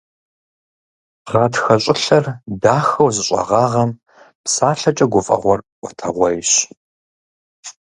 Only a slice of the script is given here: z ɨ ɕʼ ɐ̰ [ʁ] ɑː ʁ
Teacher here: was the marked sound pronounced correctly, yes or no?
yes